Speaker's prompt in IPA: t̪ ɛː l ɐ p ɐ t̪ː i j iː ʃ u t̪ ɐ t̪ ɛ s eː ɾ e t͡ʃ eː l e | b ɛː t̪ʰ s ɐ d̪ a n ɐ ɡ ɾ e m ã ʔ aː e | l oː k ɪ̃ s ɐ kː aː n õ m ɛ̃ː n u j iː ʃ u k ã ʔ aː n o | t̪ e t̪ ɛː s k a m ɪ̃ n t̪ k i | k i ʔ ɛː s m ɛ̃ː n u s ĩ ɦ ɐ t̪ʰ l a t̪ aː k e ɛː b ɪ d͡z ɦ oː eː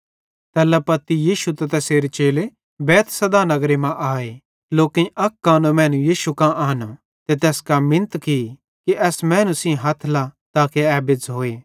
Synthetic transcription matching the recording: t̪ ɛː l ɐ p ɐ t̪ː i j iː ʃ u t̪ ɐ t̪ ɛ s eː ɾ e t͡ʃ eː l e | b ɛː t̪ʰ s ɐ d̪ a n ɐ ɡ ɾ e m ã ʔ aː e | l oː k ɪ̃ ɐ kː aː n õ m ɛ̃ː n u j iː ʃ u k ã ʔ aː n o | t̪ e t̪ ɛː s k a m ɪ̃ n t̪ k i | k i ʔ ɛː s m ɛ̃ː n u s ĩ ɦ ɐ t̪ʰ l a t̪ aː k e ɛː b ɪ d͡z ɦ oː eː

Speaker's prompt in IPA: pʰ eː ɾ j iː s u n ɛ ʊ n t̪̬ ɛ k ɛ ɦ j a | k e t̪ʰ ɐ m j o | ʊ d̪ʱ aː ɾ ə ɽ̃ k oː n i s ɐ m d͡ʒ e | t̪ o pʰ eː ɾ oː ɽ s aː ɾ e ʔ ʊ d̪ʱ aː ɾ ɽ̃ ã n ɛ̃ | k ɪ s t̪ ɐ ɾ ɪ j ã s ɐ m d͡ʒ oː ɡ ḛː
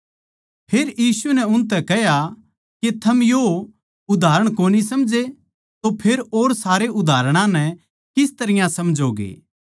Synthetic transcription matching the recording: pʰ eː ɾ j iː s u n ɛ ʊ n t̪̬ ɛ k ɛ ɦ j a | k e t̪ʰ ɐ m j o | ʊ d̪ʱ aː ɾ ə ɽ̃ k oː n i s ɐ m d͡ʒ e | t̪ o pʰ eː ɾ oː ɾ s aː ɾ e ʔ ʊ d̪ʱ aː ɾ ɽ̃ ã n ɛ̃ | k ɪ s t̪ ɐ ɾ ɪ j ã s ɐ m d͡ʒ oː ɡ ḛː

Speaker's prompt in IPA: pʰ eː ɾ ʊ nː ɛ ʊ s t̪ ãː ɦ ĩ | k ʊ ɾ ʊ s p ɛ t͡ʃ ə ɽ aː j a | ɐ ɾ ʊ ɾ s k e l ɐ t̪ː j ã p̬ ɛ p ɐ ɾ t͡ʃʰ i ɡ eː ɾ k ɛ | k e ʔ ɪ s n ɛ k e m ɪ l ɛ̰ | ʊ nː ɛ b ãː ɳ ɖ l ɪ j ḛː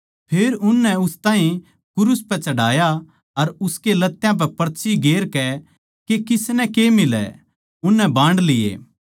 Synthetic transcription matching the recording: pʰ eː ɾ ʊ nː ɛ ʊ s t̪ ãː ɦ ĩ | k ʊ ɾ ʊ s p ɛ t͡ʃ ɐ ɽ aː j a | ɐ ɾ ʊ s k e l ɐ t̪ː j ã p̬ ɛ p ɐ ɾ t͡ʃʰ i ɡ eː ɾ k ɛ | k e k ɪ s n ɛ k e m ɪ l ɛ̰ | ʊ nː ɛ b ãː ɳ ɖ l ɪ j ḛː

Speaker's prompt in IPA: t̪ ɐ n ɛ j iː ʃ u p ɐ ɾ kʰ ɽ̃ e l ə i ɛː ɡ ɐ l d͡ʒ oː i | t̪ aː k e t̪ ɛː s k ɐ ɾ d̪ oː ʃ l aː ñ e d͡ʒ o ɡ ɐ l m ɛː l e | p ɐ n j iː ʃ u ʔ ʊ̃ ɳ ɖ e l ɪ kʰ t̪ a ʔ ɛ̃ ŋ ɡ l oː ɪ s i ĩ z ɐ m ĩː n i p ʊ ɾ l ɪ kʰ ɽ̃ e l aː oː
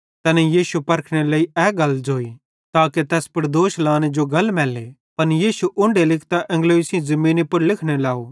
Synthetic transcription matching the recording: t̪ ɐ n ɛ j iː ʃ u p ɐ ɾ kʰ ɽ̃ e l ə i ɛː ɡ ɐ l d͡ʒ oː i | t̪ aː k e t̪ ɛː s p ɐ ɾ d̪ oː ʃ l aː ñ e d͡ʒ o ɡ ɐ l m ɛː l e | p ɐ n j iː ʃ u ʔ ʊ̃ ɳ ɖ e l ɪ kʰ t̪ a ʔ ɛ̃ ŋ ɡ l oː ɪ s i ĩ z ɐ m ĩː n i p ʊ ɾ l ɪ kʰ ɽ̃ e l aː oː

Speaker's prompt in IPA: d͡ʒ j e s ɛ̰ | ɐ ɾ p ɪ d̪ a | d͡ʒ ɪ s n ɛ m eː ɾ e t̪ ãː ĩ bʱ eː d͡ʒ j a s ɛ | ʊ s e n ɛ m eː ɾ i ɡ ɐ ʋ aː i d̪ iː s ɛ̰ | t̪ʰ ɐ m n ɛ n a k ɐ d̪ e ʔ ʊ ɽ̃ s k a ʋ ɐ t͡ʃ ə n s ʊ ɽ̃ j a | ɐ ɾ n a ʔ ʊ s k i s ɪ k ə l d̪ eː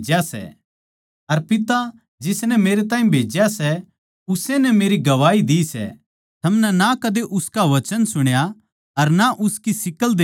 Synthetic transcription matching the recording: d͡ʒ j a s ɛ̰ | ɐ ɾ p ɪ t̪ a | d͡ʒ ɪ s n ɛ m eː ɾ e t̪ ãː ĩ bʱ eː d͡ʒ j a s ɛ | ʊ s e n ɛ m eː ɾ i ɡ ɐ ʋ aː i d̪ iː s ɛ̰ | t̪ʰ ɐ m n ɛ n a k ɐ d̪ e ʔ ʊ s k a ʋ ɐ t͡ʃ ə n s ʊ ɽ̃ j a | ɐ ɾ n a ʔ ʊ s k i s ɪ k ə l d̪ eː

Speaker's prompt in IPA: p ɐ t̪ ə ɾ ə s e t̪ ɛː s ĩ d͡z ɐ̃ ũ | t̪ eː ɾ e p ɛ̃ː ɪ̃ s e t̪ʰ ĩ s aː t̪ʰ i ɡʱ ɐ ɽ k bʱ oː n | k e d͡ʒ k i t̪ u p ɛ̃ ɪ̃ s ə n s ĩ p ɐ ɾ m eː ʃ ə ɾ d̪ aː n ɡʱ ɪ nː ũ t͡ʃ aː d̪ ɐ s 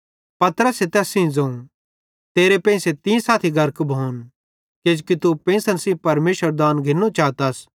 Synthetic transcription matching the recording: p ɐ t̪ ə ɾ ə s e t̪ ɛː s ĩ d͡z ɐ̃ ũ | t̪ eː ɾ e p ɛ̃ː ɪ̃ s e t̪ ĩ s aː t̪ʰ i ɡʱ ɐ ɾ k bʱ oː n | k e d͡ʒ k i t̪ u p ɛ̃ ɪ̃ s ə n s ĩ p ɐ ɾ m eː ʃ ə ɾ d̪ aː n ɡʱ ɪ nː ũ t͡ʃ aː t̪ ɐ s

